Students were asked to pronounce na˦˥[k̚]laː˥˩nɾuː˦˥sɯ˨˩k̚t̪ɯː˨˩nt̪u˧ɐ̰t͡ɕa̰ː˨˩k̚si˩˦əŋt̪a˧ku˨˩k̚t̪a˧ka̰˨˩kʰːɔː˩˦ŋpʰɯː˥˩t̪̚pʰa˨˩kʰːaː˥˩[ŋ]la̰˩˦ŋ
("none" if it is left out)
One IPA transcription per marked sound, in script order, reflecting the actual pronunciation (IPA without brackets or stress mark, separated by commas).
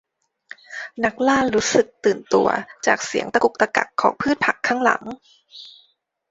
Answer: k̚, ŋ